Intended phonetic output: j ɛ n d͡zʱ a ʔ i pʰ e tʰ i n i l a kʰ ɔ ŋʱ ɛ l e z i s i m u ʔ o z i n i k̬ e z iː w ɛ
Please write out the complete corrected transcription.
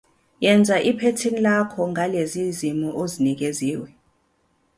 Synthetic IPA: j ɛ n d͡zʱ a ʔ i pʰ e tʰ i n i l a kʰ ɔ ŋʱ a l e z i z i m u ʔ o z i n i k̬ e z iː w ɛ